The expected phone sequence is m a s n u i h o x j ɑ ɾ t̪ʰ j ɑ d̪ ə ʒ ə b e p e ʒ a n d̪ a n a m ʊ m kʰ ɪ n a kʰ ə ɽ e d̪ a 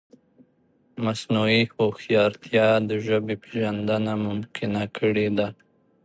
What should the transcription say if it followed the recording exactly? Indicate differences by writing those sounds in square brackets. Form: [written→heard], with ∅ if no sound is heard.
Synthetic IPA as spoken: m a s n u i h o x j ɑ ɾ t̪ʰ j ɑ d̪ ə ʒ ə b e p e ʒ a n d̪ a n a m ʊ m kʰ ɪ n a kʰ ə ɽ e d̪ a